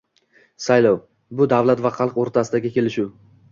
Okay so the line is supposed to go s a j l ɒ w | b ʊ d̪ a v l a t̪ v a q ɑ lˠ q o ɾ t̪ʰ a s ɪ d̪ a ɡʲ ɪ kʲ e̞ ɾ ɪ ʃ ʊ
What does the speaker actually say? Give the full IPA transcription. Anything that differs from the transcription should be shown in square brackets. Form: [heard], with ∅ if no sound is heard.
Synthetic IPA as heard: s a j l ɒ w | b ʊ d̪ a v l a t̪ v a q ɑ lˠ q o ɾ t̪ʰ a s ɪ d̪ a ɡʲ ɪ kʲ e̞ [l] ɪ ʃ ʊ